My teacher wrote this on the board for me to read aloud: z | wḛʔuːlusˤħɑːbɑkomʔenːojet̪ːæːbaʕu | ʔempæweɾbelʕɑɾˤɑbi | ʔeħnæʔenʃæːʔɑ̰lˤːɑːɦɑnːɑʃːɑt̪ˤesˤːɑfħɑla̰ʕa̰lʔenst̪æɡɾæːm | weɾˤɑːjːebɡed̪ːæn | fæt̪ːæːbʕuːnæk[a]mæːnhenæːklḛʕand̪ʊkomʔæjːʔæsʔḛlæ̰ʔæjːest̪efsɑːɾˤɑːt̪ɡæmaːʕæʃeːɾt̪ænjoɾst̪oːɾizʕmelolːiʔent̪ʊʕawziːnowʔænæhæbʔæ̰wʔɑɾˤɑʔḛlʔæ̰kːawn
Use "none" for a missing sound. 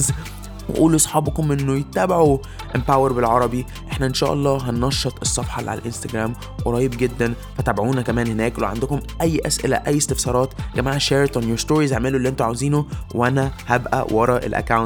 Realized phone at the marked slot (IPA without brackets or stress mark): æ